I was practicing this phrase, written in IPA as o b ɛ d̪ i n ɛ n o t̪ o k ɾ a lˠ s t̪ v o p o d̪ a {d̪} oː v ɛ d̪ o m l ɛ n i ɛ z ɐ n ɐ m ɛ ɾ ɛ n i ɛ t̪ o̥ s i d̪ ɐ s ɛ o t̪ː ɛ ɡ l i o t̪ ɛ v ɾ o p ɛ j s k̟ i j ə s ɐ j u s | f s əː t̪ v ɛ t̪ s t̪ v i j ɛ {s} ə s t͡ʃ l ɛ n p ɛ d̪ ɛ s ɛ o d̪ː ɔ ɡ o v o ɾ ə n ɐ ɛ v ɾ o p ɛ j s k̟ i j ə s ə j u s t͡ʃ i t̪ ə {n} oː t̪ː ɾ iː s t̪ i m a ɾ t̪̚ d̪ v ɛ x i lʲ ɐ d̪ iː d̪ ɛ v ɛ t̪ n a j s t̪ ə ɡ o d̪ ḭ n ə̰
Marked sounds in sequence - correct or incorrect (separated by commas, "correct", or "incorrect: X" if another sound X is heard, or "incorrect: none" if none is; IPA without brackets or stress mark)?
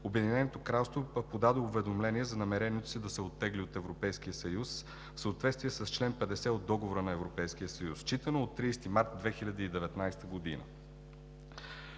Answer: correct, correct, correct